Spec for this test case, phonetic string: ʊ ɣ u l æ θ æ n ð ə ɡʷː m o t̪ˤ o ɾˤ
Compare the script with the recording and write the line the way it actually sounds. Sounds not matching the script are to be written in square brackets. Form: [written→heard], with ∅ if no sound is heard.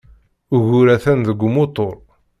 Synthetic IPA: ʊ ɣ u [l→ɾ] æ θ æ n ð ə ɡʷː m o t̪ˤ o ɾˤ